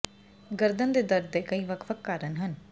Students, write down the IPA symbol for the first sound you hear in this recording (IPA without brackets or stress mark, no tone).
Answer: ɡ